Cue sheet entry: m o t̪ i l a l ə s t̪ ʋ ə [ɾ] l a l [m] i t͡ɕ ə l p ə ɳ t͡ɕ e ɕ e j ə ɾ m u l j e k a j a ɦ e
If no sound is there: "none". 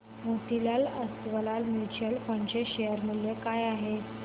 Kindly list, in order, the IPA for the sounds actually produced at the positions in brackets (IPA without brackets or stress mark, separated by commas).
none, m